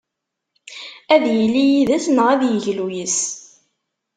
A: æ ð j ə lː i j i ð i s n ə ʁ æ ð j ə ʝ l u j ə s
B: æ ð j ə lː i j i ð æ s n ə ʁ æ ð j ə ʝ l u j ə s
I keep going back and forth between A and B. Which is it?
B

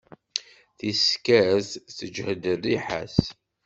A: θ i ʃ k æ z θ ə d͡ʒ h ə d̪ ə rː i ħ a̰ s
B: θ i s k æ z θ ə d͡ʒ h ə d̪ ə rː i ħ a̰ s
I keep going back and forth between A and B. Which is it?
B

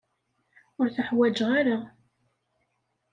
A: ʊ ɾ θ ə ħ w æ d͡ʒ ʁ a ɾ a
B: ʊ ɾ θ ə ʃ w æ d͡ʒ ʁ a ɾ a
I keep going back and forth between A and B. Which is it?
A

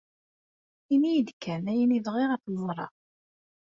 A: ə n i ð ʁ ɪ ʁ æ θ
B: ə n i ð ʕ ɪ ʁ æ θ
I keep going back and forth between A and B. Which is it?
A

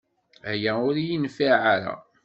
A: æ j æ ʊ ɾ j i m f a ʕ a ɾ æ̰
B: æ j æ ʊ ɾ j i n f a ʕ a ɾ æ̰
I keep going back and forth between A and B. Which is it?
B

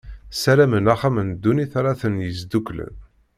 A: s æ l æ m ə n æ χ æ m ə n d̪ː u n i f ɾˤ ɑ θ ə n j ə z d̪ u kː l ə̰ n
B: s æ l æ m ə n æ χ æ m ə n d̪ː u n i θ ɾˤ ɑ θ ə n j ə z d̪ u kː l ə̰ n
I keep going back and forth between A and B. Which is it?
B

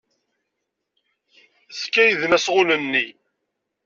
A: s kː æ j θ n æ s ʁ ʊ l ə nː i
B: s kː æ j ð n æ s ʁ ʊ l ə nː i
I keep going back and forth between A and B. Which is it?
B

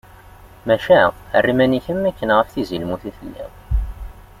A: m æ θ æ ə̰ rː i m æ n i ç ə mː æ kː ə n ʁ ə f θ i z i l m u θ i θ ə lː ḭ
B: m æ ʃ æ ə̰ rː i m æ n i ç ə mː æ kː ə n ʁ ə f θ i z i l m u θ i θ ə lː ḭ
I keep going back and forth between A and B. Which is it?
B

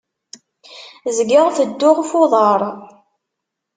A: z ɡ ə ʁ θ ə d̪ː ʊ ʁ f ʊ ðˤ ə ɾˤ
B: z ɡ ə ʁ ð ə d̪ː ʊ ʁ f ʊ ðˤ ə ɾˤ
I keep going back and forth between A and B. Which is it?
A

